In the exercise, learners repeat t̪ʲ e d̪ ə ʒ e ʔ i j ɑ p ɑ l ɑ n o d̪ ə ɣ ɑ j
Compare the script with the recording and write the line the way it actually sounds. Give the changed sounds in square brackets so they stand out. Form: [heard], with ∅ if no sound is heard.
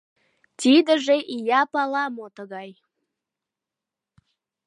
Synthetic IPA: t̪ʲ [i] d̪ ə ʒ e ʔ i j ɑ p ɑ l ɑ [m] o [t̪] ə ɣ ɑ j